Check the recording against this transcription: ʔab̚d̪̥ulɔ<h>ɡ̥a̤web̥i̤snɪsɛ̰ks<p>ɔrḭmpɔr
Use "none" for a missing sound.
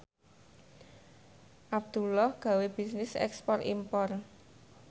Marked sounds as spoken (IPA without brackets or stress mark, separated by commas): h, p